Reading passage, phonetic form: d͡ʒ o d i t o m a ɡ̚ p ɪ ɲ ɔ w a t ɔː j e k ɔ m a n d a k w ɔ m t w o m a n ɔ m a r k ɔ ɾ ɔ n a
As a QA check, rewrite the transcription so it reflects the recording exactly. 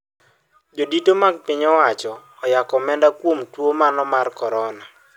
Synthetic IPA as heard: d͡ʒ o d i t o m a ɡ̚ p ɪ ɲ ɔ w a t͡ʃ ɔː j a k ɔ m ɛ n d a k w o m t w o m a n ɔ m a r k ɔ ɾ ɔ n a